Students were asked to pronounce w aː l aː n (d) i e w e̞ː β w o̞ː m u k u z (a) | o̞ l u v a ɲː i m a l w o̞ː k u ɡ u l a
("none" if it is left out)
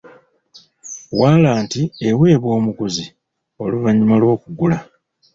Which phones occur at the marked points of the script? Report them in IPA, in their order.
t, i

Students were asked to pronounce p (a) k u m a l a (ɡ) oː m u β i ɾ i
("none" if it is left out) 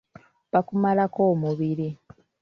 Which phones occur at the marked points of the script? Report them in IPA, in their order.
a, k

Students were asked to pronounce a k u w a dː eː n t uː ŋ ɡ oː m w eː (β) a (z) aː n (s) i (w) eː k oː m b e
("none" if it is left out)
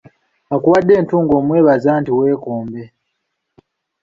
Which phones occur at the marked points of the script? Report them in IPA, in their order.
β, z, t, w

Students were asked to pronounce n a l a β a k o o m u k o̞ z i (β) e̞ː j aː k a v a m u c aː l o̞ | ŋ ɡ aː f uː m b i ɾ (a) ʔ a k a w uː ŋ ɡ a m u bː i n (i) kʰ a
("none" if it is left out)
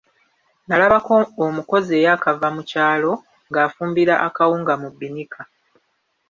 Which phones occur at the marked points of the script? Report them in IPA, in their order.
none, a, i

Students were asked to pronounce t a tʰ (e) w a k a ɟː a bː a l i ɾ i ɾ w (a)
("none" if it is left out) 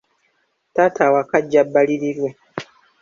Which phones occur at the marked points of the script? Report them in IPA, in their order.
a, e

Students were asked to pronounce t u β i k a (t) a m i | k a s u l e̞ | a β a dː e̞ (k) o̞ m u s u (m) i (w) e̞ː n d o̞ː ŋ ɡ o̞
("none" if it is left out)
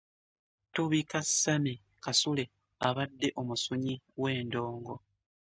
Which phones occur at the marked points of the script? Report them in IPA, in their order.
s, ʔ, ɲ, w

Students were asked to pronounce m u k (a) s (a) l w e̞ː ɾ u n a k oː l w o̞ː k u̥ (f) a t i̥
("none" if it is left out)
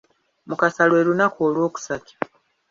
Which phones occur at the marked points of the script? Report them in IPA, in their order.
a, a, s

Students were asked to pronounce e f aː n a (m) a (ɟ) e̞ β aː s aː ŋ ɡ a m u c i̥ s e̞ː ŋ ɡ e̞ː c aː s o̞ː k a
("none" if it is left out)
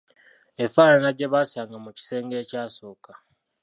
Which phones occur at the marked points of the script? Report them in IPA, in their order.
n, ɟ

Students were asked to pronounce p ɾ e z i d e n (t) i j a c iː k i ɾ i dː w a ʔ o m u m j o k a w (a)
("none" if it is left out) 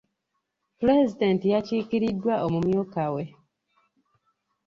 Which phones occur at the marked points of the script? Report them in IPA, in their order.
t, e

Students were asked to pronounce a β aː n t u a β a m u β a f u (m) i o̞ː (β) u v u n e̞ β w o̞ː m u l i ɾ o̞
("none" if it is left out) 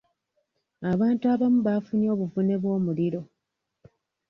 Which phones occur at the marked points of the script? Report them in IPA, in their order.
n, β

